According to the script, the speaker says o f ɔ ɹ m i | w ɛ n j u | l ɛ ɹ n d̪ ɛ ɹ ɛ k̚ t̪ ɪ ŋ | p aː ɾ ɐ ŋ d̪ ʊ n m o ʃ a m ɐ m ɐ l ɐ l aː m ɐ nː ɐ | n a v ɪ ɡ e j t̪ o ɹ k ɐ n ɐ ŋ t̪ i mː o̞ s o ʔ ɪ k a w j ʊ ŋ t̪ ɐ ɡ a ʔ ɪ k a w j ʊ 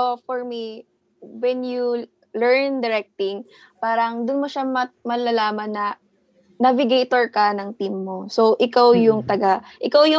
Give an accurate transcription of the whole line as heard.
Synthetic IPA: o f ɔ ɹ m i | w ɛ n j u | l ɛ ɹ n d̪ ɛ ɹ ɛ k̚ t̪ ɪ ŋ | p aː ɾ ɐ ŋ d̪ ʊ n m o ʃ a m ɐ m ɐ l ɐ l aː m ɐ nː ɐ | n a v ɪ ɡ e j t̪ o ɹ k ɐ n ɐ ŋ t̪ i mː o̞ s o ʔ ɪ k a w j ʊ ŋ t̪ ɐ ɡ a ʔ ɪ k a w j ʊ